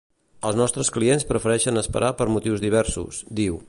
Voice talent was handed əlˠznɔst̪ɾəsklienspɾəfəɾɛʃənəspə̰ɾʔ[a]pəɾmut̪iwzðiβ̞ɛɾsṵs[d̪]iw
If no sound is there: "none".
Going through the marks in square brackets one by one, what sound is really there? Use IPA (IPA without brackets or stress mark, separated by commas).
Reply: a, d̪